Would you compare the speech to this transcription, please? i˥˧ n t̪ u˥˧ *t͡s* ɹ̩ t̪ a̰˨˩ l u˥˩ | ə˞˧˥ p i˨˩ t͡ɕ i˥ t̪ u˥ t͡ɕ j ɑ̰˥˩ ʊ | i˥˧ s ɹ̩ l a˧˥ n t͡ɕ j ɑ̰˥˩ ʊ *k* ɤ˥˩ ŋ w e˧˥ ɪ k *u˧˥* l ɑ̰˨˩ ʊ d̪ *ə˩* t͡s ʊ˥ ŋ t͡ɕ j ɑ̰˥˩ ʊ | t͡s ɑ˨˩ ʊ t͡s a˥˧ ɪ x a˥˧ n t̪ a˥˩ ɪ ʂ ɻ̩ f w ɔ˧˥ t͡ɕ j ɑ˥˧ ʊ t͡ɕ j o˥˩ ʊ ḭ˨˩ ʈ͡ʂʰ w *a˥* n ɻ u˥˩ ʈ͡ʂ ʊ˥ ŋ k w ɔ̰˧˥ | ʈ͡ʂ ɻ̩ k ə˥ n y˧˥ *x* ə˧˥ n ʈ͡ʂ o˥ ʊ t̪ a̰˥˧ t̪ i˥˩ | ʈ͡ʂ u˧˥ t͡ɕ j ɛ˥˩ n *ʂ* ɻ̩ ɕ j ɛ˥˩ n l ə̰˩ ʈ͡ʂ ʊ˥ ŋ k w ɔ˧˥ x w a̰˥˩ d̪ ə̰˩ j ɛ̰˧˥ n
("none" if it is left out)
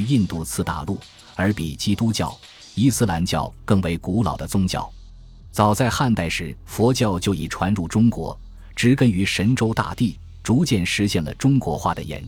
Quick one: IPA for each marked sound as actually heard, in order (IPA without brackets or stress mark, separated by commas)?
t͡sʰ, k, u˧˥, ə˦, a˧˥, ʂ, ʂ